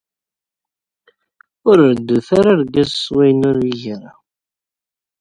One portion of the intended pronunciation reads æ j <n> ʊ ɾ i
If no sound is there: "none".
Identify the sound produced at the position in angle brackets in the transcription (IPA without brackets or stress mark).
n